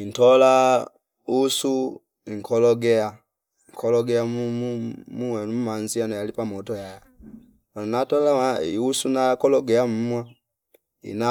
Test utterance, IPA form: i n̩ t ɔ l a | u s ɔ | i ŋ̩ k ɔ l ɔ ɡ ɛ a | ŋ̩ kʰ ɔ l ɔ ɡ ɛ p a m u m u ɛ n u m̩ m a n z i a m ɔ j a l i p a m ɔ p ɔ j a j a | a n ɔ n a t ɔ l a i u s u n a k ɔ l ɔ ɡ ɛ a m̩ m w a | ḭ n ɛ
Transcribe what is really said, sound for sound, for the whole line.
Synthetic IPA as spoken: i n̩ t ɔ l a | u s u | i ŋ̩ k ɔ l ɔ ɡ ɛ a | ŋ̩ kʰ ɔ l ɔ ɡ ɛ a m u m u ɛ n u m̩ m a n z i a n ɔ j a l i p a m ɔ t ɔ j a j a | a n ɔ n a t ɔ l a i u s u n a k ɔ l ɔ ɡ ɛ a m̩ m w a | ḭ n a